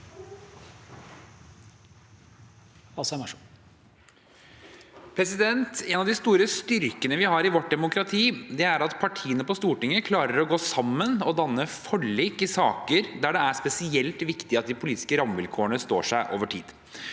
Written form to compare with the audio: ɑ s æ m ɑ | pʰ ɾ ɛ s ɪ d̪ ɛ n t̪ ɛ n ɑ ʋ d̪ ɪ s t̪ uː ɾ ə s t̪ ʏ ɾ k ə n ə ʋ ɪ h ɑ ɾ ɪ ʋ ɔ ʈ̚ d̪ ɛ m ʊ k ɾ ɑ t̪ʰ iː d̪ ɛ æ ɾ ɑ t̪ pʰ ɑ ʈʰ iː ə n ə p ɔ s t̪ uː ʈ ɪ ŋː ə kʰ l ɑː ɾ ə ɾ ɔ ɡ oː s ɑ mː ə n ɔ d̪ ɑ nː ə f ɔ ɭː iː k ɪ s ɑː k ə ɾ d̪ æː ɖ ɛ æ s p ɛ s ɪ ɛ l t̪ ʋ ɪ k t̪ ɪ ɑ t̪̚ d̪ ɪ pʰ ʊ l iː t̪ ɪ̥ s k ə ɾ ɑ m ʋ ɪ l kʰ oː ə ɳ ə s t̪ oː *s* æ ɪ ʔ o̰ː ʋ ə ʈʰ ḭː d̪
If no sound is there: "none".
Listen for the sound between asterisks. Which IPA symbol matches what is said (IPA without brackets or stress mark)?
ʂ